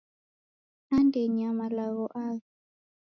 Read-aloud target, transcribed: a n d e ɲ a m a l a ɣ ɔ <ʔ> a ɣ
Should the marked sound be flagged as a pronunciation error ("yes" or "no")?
no